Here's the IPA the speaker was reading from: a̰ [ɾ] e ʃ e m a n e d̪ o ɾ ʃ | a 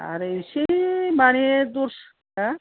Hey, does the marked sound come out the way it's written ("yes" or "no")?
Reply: yes